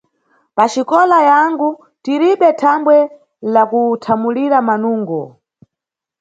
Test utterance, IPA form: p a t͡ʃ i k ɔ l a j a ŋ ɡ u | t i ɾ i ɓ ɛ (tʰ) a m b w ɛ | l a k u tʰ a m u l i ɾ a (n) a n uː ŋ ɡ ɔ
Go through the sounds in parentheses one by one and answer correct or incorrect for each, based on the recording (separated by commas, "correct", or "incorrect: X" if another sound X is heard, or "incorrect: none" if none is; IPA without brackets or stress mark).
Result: correct, incorrect: m